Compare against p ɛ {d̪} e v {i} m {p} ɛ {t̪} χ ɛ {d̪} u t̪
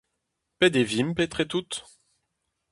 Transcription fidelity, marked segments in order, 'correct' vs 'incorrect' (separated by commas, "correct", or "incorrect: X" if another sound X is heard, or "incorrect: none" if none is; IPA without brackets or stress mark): correct, correct, correct, correct, incorrect: t̪